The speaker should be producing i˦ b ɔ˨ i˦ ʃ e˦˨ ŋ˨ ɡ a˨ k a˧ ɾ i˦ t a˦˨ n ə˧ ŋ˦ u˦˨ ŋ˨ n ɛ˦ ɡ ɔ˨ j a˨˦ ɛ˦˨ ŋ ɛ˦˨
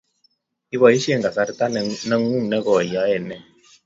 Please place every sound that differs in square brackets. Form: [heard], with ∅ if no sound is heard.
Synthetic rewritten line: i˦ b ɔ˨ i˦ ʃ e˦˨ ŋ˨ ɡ a˨ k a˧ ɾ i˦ t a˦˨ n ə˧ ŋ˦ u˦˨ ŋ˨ n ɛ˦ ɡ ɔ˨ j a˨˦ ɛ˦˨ [n] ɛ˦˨